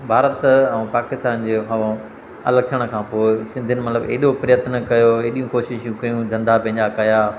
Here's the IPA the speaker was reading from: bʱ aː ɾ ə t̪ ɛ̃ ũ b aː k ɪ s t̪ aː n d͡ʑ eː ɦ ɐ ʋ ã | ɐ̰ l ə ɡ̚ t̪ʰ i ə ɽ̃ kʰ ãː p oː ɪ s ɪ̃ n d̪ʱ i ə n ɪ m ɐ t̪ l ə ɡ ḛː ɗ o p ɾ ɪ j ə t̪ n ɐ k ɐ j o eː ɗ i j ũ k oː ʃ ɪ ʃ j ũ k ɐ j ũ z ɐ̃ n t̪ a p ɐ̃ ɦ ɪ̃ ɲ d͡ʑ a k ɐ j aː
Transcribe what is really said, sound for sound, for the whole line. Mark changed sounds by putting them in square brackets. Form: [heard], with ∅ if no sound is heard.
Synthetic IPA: bʱ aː ɾ ə t̪ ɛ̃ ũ [p] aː k ɪ s t̪ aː n d͡ʑ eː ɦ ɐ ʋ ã | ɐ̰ l ə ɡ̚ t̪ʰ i ə ɽ̃ kʰ ãː p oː ɪ s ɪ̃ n d̪ʱ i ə n ɪ m ɐ t̪ l ə [b] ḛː ɗ o p ɾ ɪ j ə t̪ n ɐ k ɐ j o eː ɗ i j ũ k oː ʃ ɪ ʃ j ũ k ɐ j ũ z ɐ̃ n [d̪] a p ɐ̃ ɦ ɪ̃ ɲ d͡ʑ a k ɐ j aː